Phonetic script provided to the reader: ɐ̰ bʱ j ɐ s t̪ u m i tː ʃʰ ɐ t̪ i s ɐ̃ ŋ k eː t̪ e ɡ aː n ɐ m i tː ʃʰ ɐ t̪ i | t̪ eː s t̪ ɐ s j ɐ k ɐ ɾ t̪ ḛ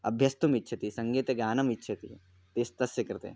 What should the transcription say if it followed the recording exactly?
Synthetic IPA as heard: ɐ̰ bʱ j ɐ s t̪ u m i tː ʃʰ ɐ t̪ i s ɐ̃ ŋ ɡ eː t̪ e ɡ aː n ɐ m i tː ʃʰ ɐ t̪ i | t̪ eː s t̪ ɐ s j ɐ k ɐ ɾ t̪ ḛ